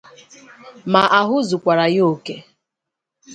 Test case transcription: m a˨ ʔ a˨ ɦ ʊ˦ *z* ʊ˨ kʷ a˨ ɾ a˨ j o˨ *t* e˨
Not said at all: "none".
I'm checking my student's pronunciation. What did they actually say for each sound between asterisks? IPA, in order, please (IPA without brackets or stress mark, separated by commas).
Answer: z, k